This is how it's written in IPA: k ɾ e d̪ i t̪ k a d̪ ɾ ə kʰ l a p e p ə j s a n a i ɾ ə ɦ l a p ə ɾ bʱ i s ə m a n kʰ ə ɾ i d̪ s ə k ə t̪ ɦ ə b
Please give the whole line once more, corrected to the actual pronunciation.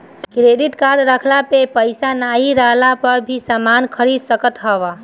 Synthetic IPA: k ɾ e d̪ i t̪ k a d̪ ɾ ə kʰ l a p e p ə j s a n a i ɾ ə ɦ l a p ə ɾ bʱ i s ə m a n kʰ ə ɾ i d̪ s ə k ə t̪ ɦ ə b